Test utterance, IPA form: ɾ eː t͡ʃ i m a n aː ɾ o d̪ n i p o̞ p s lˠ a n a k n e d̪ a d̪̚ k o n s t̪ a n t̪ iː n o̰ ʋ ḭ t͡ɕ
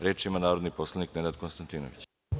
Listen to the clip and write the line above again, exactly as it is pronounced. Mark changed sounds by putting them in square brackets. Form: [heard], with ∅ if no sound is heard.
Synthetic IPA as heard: ɾ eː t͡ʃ i m a n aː ɾ o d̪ n i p o̞ [∅] s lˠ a n [i] k n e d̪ a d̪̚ k o n s t̪ a n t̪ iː n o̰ ʋ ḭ t͡ɕ

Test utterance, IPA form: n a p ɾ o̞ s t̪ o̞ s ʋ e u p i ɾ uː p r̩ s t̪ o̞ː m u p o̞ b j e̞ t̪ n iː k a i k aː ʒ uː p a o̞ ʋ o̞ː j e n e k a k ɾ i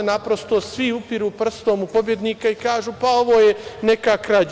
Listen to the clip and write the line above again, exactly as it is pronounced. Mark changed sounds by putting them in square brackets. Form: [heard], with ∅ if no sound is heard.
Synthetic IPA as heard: n a p ɾ o̞ s t̪ o̞ s ʋ [i] u p i ɾ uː p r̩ s t̪ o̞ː m u p o̞ b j e̞ [d̪] n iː k a i k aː ʒ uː p a o̞ ʋ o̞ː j e n e k a k ɾ [a]

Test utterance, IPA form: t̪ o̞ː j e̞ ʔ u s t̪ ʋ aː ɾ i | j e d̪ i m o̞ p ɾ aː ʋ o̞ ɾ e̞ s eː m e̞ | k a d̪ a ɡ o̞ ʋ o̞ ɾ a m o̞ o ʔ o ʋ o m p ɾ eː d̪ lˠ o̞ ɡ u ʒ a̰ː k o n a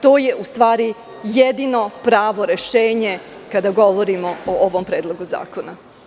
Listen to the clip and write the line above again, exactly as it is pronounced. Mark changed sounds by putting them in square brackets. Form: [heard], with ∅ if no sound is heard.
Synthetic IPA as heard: t̪ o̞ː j e̞ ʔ u s t̪ ʋ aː ɾ i | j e d̪ i [n] o̞ p ɾ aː ʋ o̞ ɾ e̞ [ʃ] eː [ɲ] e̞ | k a d̪ a ɡ o̞ ʋ o̞ ɾ [i] m o̞ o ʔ o ʋ o m p ɾ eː d̪ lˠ o̞ ɡ u [z] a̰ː k o n a

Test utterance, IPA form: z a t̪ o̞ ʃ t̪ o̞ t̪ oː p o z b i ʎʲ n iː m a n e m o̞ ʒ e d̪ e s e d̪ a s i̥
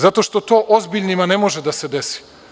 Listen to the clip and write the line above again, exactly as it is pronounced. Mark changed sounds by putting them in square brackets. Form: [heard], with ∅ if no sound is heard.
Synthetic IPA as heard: z a t̪ o̞ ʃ t̪ o̞ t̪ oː [ʔ] o z b i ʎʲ n [i] m a n e m o̞ ʒ e d̪ [a] s e d̪ [e] s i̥

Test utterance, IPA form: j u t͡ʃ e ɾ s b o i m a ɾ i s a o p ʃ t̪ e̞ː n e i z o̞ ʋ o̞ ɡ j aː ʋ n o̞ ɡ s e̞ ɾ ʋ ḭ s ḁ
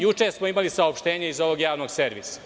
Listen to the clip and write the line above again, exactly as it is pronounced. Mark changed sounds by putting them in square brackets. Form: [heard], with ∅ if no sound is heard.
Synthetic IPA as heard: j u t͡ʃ e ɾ s [m] o i m a [l] i s a o p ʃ t̪ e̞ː [ɲ] e i z o̞ ʋ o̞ ɡ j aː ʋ n o̞ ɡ s e̞ ɾ ʋ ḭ s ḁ

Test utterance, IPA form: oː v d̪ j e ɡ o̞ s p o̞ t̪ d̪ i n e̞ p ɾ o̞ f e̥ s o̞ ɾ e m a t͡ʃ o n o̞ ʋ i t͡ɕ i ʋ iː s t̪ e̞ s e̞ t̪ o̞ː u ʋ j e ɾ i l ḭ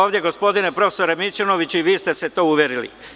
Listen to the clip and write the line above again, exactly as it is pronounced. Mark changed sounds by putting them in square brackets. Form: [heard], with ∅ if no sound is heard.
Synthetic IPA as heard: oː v d̪ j e ɡ o̞ s p o̞ [∅] d̪ i n e̞ p ɾ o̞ f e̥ s o̞ ɾ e m [i] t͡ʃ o n o̞ ʋ i t͡ɕ i ʋ iː s t̪ e̞ s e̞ t̪ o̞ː u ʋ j e ɾ i l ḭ

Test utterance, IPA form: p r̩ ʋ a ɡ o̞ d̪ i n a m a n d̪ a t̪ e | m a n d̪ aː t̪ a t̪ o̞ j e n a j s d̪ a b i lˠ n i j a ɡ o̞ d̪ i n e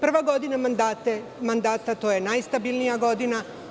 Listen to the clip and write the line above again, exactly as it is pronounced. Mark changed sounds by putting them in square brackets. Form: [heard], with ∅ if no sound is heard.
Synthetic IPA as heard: p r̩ ʋ a ɡ o̞ d̪ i n a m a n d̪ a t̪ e | m a n d̪ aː t̪ a t̪ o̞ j e n a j s [t̪] a b i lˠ n i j a ɡ o̞ d̪ i n [a]

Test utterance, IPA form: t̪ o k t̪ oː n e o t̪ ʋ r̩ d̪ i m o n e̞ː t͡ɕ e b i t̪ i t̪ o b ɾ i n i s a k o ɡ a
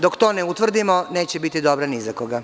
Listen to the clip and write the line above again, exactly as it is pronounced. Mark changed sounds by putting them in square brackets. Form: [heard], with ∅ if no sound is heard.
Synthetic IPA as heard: [d̪] o k t̪ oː n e [u] t̪ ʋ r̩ d̪ i m o n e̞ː t͡ɕ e b i t̪ i [d̪] o b ɾ [a] n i [z] a k o ɡ a

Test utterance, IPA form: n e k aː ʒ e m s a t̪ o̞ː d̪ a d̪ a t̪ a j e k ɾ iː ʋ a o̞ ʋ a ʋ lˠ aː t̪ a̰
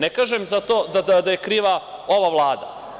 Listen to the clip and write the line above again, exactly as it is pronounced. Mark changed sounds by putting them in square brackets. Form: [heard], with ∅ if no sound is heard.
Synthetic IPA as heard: n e k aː ʒ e m [z] a t̪ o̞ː d̪ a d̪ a [d̪] a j e k ɾ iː ʋ a o̞ ʋ a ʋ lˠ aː [d̪] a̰

